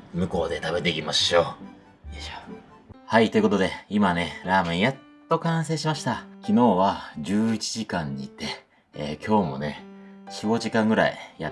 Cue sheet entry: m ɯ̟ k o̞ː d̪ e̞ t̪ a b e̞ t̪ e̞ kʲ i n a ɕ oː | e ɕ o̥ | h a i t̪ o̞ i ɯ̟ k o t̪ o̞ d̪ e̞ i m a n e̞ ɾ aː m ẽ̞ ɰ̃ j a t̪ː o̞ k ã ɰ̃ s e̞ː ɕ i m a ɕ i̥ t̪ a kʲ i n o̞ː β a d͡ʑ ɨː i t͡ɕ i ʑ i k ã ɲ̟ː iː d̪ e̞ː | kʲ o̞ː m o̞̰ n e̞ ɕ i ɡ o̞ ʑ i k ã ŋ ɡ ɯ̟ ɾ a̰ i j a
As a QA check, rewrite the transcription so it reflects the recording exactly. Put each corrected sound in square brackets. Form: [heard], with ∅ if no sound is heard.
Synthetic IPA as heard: m ɯ̟ k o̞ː d̪ e̞ t̪ a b e̞ t̪ e̞ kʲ i [m] a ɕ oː | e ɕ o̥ | h a i t̪ o̞ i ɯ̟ k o t̪ o̞ d̪ e̞ i m a n e̞ ɾ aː m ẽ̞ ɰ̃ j a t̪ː o̞ k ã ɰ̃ s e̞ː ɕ i m a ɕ i̥ t̪ a kʲ i n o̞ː β a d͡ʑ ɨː i t͡ɕ i ʑ i k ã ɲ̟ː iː [t̪] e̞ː | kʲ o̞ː m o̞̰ n e̞ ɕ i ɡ o̞ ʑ i k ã ŋ ɡ ɯ̟ ɾ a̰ i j a